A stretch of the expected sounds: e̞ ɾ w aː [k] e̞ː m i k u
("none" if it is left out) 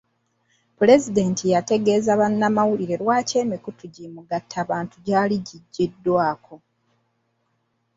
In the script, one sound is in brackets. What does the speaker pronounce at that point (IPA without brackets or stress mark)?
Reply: c